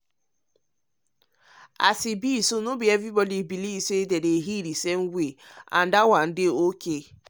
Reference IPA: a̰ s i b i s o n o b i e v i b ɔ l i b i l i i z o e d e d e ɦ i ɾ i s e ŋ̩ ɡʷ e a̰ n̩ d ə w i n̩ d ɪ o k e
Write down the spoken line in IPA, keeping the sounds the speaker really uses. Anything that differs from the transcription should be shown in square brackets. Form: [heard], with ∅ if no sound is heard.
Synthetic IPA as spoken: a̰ s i b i s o n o b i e v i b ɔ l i b i l i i [s] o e d e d e ɦ i ɾ i s e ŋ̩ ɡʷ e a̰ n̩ d [a] w [a] n̩ d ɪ o k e